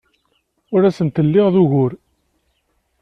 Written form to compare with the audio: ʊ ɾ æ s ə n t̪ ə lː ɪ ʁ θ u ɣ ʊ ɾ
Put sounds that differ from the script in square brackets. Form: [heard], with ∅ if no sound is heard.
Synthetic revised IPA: ʊ ɾ æ s ə n t̪ ə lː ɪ ʁ [ð] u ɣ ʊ ɾ